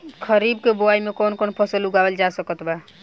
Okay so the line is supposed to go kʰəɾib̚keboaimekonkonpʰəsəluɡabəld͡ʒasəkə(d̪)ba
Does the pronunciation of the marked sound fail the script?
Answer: yes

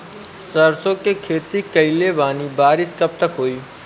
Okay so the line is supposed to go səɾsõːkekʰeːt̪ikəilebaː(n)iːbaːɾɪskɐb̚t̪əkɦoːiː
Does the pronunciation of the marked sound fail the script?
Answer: no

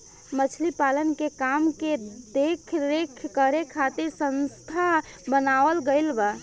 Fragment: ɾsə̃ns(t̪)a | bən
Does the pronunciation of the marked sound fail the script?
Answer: yes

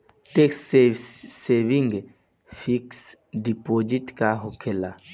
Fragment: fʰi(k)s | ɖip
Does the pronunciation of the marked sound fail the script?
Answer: no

